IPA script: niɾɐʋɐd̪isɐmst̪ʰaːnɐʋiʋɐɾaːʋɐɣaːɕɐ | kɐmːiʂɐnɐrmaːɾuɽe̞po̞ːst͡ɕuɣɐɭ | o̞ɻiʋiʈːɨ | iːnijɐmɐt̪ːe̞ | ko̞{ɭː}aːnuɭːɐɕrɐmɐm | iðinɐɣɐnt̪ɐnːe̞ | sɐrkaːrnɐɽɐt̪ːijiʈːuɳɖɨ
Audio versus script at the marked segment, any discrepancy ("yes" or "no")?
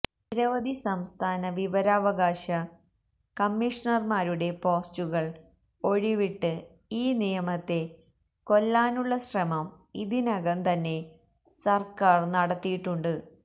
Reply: yes